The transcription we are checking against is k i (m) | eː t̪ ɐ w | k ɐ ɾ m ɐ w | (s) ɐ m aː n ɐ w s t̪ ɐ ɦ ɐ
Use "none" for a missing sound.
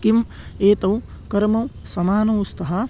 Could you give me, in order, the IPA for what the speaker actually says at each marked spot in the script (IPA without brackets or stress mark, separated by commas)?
m, s